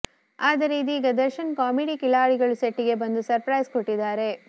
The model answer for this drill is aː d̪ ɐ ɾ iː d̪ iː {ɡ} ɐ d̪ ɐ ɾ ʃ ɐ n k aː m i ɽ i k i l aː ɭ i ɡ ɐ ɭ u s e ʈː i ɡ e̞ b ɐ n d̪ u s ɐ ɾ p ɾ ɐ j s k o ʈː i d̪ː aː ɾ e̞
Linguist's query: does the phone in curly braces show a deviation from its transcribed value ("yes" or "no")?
no